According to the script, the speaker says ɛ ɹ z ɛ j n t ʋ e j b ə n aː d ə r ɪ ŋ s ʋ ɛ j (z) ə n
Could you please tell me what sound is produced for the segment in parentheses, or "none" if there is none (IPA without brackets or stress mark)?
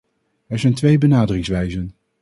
z